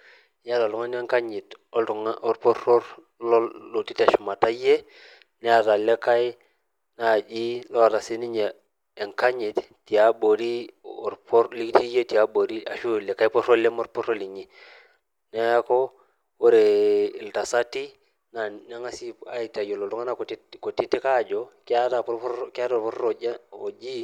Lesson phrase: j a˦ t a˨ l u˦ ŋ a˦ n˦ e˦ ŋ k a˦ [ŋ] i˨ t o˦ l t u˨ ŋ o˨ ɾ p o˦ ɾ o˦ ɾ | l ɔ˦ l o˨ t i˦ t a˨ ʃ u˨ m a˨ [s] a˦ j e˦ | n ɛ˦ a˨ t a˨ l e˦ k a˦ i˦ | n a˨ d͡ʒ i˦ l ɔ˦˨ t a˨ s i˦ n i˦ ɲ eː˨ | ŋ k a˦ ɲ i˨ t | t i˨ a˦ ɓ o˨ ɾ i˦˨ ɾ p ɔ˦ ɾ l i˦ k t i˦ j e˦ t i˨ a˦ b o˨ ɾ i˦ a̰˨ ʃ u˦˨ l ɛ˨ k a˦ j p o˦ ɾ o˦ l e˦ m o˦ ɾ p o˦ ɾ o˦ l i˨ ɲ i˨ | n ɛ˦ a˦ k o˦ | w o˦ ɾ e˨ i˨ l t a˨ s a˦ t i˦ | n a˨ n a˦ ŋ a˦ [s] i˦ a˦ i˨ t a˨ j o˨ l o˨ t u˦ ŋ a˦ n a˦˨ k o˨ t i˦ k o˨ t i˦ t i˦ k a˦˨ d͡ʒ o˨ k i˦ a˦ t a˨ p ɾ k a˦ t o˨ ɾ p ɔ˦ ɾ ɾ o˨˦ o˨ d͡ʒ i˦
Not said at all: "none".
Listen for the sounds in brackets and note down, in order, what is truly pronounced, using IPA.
ɲ, t, s

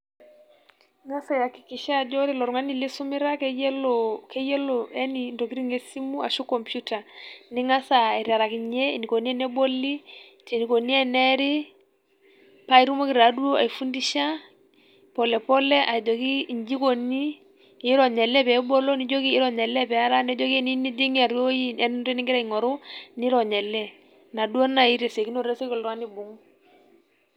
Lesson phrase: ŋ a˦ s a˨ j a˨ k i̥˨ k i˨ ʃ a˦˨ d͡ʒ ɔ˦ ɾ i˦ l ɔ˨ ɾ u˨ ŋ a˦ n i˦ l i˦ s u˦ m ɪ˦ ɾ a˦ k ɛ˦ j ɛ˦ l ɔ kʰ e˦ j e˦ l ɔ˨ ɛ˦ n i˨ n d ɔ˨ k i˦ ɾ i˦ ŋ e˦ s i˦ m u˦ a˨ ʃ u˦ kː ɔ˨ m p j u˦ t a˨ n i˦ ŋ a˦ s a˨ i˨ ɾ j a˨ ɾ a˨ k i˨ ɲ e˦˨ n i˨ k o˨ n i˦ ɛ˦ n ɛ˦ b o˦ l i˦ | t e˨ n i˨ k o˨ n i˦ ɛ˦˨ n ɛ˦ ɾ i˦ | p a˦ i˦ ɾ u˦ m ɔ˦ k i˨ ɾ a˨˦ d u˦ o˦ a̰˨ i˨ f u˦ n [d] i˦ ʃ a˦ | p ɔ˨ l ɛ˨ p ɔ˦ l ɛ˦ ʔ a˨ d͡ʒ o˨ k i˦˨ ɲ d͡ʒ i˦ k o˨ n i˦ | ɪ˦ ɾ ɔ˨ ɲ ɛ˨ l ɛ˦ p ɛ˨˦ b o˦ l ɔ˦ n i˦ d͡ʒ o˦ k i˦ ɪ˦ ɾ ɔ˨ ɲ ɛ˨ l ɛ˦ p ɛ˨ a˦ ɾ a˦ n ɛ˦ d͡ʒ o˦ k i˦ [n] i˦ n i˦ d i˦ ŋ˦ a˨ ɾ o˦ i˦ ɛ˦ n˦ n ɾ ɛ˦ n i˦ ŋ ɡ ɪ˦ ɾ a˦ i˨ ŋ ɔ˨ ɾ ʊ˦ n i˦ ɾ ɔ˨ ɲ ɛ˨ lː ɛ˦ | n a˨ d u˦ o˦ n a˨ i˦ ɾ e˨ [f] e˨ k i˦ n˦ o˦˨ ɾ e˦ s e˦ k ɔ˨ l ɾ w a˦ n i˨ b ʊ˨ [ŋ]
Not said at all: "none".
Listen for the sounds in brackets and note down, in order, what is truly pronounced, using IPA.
d, n, s, ŋ

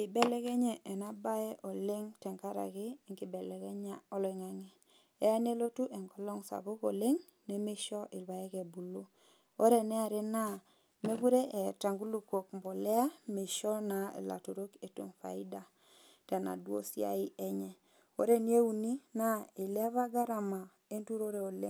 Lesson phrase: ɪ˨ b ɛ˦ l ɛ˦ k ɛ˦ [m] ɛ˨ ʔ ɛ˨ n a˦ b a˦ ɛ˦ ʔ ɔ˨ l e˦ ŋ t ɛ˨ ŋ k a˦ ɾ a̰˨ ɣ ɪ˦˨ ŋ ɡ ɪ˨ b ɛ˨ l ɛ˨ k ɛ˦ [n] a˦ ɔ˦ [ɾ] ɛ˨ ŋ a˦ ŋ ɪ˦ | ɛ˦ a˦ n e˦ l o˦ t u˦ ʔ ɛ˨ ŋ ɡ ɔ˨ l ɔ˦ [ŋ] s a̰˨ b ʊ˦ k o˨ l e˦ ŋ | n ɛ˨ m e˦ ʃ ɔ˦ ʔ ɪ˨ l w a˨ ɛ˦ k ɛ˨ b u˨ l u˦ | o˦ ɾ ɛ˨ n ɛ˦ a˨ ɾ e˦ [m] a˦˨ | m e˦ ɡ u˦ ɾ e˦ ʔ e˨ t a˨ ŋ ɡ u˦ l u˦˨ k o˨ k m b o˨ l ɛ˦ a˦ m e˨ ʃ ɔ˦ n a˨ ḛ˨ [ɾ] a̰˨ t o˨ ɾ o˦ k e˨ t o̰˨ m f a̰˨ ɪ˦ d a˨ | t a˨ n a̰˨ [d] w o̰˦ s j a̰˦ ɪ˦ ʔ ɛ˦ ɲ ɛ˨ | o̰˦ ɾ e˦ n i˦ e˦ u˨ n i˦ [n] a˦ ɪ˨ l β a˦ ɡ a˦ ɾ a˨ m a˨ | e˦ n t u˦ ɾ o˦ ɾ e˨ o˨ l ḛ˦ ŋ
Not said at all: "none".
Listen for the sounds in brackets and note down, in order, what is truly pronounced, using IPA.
ɲ, ɲ, l, ŋ, n, l, d, n

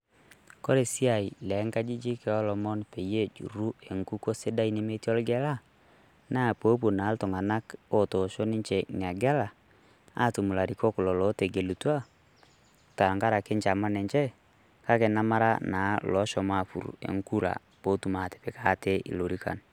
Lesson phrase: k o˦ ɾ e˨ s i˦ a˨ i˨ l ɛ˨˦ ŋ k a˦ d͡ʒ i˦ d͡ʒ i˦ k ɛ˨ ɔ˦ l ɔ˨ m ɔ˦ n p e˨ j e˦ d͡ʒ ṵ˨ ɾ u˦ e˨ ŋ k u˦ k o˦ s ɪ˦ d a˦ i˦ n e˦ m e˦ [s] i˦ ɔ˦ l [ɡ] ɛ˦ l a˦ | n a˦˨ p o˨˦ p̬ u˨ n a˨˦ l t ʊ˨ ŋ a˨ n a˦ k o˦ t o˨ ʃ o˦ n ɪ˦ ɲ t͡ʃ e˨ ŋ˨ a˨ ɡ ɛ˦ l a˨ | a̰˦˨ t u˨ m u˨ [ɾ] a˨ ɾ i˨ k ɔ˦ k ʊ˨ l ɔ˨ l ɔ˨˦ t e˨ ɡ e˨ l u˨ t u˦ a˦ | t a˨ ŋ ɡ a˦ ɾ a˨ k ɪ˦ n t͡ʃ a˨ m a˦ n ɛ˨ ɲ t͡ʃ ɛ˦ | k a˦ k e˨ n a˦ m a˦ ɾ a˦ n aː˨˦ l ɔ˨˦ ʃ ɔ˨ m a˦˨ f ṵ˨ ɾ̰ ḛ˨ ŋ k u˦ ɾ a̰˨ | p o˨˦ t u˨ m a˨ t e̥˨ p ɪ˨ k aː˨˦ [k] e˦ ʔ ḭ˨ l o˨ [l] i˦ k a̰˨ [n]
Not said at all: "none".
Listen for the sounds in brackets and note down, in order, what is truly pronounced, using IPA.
t, ɡ, l, t, ɾ, n

